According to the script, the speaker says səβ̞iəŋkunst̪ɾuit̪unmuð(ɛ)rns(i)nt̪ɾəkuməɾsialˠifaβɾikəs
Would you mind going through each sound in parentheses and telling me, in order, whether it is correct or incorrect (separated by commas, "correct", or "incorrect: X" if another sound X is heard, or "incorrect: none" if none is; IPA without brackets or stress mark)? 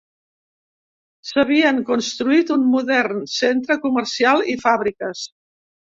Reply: correct, incorrect: e